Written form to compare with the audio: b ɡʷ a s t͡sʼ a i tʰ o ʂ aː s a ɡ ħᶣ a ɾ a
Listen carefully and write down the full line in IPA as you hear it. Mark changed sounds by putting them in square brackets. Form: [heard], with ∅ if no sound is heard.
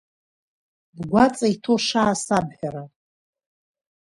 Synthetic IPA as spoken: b ɡʷ a [∅] t͡sʼ a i tʰ o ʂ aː s a [b] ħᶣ a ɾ a